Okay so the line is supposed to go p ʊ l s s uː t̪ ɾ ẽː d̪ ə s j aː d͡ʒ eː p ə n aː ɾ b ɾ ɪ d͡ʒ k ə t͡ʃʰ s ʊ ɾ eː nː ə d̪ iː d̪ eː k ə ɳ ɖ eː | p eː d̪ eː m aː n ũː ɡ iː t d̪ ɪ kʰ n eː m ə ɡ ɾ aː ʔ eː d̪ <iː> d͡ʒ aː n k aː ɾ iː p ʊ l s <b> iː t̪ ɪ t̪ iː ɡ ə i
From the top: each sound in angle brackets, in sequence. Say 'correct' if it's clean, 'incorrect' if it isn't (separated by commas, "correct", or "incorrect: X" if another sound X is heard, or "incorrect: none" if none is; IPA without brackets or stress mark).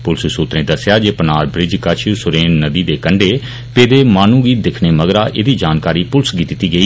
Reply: correct, incorrect: ɡ